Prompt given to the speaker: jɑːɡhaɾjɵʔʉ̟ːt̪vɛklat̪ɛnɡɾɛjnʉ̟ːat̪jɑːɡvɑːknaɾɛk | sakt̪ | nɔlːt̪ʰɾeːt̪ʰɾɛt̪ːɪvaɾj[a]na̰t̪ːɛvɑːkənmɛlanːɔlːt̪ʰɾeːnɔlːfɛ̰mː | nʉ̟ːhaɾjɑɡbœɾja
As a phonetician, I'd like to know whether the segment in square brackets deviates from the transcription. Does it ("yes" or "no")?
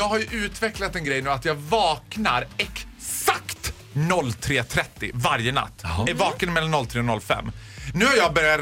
yes